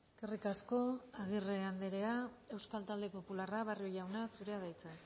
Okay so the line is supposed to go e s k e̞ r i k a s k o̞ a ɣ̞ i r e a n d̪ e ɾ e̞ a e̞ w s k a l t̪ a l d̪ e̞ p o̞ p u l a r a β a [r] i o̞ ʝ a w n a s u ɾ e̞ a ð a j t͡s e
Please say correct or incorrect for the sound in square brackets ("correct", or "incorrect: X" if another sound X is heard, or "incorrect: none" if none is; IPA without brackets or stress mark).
correct